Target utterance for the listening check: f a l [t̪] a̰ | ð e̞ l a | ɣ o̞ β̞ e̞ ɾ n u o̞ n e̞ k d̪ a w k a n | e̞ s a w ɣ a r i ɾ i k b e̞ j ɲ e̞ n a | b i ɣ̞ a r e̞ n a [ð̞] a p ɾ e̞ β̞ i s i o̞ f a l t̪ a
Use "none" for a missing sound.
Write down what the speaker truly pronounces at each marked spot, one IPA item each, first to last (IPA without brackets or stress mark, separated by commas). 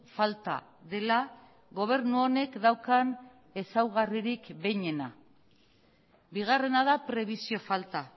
t̪, ð̞